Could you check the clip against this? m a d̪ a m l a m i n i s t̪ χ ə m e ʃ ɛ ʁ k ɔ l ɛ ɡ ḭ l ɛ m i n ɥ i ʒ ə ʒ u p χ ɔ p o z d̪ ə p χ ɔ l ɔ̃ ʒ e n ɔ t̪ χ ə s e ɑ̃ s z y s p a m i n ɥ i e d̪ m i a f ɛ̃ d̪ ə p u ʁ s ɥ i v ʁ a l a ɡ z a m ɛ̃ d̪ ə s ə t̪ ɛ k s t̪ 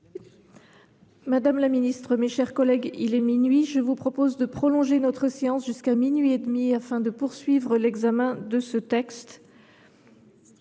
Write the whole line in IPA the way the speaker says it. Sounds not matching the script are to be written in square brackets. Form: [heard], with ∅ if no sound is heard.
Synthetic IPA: m a d̪ a m l a m i n i s t̪ χ ə m e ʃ ɛ ʁ k ɔ l ɛ ɡ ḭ l ɛ m i n ɥ i ʒ ə [v] u p χ ɔ p o z d̪ ə p χ ɔ l ɔ̃ ʒ e n ɔ t̪ χ ə s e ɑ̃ s [ʒ] y s [k] a m i n ɥ i e d̪ m i a f ɛ̃ d̪ ə p u ʁ s ɥ i v ʁ [ə] l [ɛ] ɡ z a m ɛ̃ d̪ ə s ə t̪ ɛ k s t̪